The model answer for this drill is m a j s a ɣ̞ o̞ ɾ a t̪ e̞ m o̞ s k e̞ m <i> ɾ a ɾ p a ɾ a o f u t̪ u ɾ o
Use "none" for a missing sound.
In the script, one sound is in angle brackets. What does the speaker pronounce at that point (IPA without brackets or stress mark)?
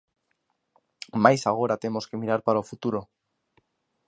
i